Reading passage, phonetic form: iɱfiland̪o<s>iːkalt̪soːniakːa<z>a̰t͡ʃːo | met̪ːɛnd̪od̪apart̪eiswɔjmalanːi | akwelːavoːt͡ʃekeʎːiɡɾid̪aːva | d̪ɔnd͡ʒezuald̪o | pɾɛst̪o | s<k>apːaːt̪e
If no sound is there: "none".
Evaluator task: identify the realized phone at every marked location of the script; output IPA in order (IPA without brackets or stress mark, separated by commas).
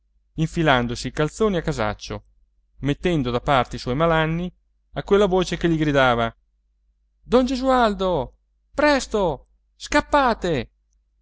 s, z, k